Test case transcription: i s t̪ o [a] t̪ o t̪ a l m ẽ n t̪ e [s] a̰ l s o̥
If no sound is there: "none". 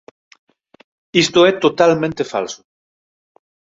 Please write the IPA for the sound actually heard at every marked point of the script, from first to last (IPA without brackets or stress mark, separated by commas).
ɛ, f